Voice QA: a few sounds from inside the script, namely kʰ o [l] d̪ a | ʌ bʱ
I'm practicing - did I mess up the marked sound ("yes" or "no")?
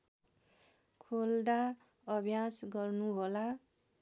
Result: no